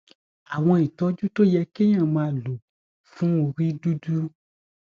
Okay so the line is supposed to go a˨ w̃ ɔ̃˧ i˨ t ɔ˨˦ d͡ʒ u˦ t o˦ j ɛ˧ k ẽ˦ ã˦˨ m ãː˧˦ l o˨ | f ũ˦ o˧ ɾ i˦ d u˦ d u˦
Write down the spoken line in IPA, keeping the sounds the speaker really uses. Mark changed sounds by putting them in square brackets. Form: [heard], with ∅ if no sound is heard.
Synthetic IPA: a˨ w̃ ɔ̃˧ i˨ t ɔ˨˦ d͡ʒ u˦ t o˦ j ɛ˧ k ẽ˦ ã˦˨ m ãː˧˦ l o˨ | f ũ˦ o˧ ɾ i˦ d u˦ d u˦